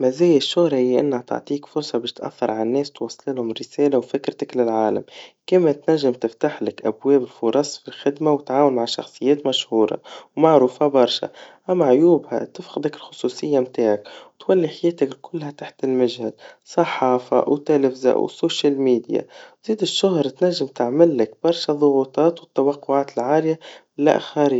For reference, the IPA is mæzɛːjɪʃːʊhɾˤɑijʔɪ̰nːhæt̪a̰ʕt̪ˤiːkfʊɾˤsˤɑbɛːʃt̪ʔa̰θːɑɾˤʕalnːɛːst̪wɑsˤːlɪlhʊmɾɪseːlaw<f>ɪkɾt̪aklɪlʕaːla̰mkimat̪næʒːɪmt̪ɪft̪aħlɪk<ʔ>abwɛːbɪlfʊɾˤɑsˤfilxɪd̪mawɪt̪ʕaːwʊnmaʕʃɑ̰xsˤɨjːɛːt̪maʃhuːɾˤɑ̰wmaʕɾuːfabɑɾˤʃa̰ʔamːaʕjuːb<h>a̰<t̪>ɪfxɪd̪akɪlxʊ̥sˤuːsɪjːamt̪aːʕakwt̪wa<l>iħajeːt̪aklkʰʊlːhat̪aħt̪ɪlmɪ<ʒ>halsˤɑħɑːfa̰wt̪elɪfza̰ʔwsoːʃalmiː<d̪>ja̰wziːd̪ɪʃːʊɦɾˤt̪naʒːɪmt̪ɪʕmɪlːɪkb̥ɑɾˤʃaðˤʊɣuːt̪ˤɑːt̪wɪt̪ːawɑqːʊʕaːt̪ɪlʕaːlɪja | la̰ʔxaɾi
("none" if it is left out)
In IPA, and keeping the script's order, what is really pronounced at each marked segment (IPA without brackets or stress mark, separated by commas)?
f, ʔ, h, t̪, lː, ʒ, d̪